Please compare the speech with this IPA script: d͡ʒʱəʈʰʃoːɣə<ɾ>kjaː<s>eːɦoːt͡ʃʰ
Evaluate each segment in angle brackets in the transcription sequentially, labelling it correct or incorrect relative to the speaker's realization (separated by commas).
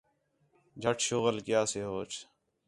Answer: incorrect, correct